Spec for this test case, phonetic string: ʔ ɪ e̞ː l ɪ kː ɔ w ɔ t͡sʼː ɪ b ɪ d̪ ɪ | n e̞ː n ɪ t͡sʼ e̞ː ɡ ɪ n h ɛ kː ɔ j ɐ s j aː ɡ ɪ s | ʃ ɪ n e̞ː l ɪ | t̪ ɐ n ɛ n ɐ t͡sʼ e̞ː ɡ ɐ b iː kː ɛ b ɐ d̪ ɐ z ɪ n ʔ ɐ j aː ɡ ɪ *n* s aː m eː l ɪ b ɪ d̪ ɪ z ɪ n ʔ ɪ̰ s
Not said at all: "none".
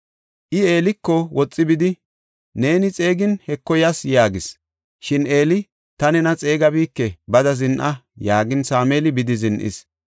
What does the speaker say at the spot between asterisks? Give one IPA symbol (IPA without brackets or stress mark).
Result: n